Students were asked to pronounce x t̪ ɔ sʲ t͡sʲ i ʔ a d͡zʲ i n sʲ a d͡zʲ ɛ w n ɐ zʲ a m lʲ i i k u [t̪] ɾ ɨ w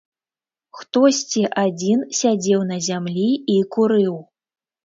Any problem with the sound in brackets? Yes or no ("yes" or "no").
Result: yes